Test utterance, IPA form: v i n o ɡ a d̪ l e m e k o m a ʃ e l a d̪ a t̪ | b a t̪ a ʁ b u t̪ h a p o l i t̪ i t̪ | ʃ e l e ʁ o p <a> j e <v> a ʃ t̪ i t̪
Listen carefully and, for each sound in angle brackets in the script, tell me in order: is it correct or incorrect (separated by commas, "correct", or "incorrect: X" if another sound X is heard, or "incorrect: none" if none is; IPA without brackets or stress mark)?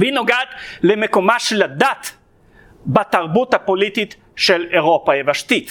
correct, correct